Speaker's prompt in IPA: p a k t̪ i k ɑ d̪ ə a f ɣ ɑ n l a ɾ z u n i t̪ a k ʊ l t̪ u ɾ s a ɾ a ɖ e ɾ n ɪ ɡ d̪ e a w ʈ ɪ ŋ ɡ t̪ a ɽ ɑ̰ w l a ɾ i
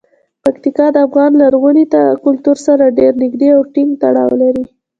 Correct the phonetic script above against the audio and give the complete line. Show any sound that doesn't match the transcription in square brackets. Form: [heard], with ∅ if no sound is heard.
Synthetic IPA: p a k t̪ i k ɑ d̪ ə a f ɣ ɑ n l a ɾ [ɣ] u n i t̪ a k ʊ l t̪ u ɾ s a ɾ a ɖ e ɾ n ɪ ɡ d̪ e a w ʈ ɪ ŋ ɡ t̪ a ɽ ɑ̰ w l a ɾ i